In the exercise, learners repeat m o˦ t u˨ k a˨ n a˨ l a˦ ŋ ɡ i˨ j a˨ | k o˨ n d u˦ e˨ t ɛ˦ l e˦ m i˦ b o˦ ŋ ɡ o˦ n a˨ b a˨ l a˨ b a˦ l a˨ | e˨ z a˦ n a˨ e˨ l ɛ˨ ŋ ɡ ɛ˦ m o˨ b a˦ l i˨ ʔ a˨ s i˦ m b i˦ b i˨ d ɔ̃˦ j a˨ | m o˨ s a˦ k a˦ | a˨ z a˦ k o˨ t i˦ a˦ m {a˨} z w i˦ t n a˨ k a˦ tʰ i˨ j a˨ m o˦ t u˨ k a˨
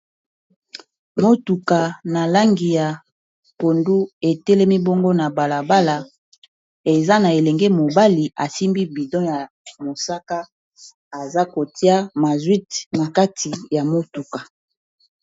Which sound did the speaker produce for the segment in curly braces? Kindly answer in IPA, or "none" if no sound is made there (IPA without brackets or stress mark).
a˨